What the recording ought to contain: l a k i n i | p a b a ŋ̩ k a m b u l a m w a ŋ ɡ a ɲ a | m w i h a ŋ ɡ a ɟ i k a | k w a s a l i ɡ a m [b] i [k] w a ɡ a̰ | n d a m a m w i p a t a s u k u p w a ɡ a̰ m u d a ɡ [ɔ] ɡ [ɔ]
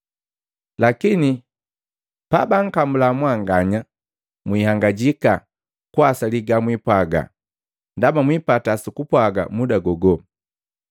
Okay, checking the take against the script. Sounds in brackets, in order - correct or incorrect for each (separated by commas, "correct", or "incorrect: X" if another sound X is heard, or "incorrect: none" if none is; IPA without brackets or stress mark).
incorrect: w, incorrect: p, correct, correct